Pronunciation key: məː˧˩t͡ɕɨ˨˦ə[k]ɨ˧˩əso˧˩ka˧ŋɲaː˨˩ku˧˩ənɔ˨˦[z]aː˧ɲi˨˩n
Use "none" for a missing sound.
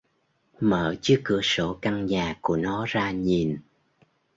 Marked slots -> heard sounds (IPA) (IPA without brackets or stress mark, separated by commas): k, z